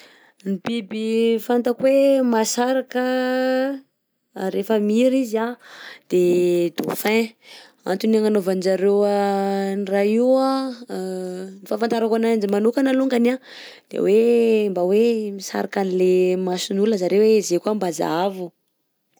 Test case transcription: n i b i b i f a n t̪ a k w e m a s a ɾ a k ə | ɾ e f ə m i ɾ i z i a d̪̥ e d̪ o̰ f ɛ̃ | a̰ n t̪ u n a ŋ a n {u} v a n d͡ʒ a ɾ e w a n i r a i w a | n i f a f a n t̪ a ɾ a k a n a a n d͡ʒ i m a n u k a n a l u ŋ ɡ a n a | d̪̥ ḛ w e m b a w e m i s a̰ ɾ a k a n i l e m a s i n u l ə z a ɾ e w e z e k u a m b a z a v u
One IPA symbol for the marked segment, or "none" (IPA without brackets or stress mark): o